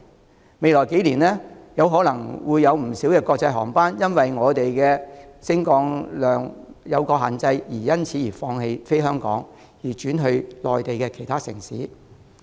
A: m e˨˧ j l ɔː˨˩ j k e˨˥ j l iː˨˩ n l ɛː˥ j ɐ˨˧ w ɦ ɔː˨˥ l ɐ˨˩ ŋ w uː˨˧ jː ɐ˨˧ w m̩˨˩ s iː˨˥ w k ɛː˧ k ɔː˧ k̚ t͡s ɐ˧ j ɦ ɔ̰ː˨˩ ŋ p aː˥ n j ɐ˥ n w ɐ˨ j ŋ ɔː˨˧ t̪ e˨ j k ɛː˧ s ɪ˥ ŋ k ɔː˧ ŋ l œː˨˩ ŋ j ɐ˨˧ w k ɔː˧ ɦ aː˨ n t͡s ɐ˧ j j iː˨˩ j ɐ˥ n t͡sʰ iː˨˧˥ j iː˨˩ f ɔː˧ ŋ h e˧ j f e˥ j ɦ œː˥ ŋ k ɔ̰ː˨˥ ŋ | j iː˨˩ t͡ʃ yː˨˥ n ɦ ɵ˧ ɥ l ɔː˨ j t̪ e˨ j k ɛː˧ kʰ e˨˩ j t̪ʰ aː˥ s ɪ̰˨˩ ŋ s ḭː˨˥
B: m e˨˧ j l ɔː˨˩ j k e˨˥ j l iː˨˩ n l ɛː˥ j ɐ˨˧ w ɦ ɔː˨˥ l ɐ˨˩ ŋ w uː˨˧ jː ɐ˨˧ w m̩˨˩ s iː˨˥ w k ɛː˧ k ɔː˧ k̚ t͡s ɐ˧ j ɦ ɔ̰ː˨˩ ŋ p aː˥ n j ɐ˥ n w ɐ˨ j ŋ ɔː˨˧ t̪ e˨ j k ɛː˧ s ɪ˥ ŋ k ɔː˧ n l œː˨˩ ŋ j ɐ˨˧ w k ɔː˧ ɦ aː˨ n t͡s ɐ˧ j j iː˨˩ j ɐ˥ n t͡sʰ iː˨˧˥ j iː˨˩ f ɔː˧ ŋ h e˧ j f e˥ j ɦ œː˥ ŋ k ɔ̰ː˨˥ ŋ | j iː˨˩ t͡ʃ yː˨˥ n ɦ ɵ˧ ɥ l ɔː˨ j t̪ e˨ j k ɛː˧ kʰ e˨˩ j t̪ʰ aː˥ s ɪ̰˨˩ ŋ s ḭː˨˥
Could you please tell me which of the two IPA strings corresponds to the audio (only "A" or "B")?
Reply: A